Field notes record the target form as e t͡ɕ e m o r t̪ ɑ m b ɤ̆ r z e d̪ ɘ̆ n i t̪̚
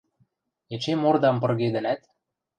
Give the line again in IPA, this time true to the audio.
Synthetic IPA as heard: e t͡ɕ e m o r d̪ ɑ m p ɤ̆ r ɣ e d̪ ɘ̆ n æ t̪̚